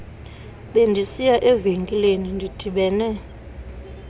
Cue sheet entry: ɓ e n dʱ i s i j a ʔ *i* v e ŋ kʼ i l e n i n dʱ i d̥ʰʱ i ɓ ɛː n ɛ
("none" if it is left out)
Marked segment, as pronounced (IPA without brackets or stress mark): ɛ